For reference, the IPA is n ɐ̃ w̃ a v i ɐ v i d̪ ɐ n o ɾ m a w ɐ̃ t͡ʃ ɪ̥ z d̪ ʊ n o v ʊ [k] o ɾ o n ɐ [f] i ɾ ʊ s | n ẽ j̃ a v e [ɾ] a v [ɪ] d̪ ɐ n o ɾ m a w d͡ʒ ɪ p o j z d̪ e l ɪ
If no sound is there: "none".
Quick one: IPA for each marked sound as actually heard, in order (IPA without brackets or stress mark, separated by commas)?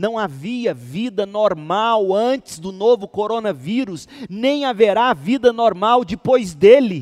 k, v, ɾ, i